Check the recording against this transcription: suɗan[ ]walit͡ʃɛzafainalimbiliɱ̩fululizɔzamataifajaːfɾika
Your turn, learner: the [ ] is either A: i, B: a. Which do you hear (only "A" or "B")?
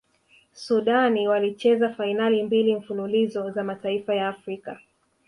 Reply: A